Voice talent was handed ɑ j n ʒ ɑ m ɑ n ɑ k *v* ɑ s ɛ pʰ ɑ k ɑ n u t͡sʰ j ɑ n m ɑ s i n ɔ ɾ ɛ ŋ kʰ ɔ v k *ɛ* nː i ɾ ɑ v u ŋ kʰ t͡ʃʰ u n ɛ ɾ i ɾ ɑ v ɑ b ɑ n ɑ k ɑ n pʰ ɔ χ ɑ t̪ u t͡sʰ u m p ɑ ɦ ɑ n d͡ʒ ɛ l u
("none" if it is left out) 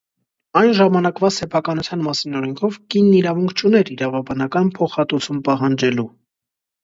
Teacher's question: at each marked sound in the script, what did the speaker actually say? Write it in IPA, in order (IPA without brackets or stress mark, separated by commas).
v, i